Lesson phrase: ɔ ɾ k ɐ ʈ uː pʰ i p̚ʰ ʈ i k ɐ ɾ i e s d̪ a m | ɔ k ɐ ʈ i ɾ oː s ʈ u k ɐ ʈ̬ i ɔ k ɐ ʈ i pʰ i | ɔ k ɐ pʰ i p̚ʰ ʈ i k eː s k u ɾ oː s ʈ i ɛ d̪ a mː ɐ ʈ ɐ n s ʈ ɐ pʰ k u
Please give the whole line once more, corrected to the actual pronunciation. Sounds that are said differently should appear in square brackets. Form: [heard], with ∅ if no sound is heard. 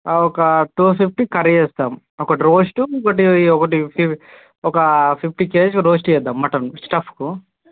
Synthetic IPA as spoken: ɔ [∅] k ɐ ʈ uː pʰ i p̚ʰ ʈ i k ɐ ɾ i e s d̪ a m | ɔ k ɐ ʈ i ɾ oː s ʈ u k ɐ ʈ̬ i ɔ k ɐ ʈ i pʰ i | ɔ k ɐ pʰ i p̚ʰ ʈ i k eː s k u ɾ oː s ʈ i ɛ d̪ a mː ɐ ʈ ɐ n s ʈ ɐ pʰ k u

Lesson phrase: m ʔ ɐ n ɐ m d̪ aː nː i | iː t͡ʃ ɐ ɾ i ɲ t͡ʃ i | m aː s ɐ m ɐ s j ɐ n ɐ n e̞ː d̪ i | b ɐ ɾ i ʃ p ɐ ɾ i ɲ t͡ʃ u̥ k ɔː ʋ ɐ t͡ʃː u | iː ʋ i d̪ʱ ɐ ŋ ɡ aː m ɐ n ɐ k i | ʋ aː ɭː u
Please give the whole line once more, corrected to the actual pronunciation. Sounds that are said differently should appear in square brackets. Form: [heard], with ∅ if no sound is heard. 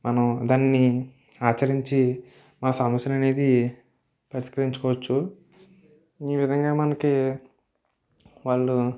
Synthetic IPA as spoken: m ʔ ɐ n ɐ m d̪ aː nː i | [aː] t͡ʃ ɐ ɾ i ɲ t͡ʃ i | m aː s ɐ m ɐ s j ɐ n ɐ n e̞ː d̪ i | [p] ɐ ɾ i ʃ [k] ɐ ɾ i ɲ t͡ʃ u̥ k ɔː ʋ ɐ t͡ʃː u | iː ʋ i d̪ʱ ɐ ŋ ɡ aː m ɐ n ɐ k i | ʋ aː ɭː u

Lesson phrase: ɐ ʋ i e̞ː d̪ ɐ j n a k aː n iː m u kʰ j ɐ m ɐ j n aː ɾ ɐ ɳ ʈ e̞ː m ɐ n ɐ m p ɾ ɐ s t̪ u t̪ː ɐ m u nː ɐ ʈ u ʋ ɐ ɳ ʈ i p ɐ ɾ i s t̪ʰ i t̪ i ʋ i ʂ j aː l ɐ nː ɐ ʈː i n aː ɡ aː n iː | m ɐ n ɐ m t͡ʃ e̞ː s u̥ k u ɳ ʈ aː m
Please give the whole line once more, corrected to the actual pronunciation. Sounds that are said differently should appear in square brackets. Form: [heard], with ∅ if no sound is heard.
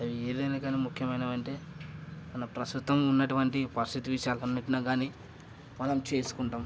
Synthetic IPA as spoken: ɐ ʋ i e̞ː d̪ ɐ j n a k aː n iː m u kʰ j ɐ m ɐ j n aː [∅] ɐ ɳ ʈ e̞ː m ɐ n ɐ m p ɾ ɐ s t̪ u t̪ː ɐ m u nː ɐ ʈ u ʋ ɐ ɳ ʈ i p ɐ ɾ i s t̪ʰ i t̪ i ʋ i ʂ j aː l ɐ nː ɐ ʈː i n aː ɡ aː n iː | m ɐ n ɐ m t͡ʃ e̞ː s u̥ k u ɳ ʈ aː m

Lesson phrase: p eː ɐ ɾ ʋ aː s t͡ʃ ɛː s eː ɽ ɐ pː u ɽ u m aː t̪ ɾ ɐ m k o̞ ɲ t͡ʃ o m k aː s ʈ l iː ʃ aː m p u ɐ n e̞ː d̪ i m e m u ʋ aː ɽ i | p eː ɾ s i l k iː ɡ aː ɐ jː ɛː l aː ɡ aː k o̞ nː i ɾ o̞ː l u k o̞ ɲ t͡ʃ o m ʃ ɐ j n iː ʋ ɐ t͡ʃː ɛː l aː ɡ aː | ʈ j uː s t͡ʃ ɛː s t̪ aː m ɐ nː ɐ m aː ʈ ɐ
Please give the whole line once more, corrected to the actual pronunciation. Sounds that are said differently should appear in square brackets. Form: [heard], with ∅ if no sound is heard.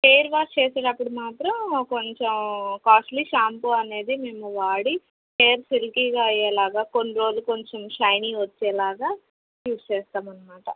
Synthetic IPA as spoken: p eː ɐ ɾ ʋ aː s t͡ʃ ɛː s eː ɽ ɐ pː u ɽ u m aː t̪ ɾ ɐ m k o̞ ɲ t͡ʃ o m k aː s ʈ l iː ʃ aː m p u ɐ n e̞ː d̪ i m e m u ʋ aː ɽ i | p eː ɾ s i l k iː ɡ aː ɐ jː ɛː l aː ɡ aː k o̞ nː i ɾ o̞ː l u k o̞ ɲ t͡ʃ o m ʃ ɐ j n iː ʋ ɐ t͡ʃː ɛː l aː ɡ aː | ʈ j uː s t͡ʃ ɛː s t̪ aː m ɐ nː ɐ m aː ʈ ɐ

